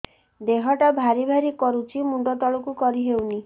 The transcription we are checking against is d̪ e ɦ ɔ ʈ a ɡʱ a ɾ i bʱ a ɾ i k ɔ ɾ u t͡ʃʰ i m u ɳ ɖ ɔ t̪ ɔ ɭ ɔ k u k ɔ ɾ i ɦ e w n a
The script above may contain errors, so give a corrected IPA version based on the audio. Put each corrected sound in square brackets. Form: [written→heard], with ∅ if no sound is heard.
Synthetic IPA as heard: d̪ e ɦ ɔ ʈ a [ɡʱ→bʱ] a ɾ i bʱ a ɾ i k ɔ ɾ u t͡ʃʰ i m u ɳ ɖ ɔ t̪ ɔ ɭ ɔ k u k ɔ ɾ i ɦ e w n [a→i]